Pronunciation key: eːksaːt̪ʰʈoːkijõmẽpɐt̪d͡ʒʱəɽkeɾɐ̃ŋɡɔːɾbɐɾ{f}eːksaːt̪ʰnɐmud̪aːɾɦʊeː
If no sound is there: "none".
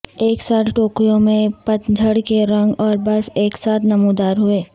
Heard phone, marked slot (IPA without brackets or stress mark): f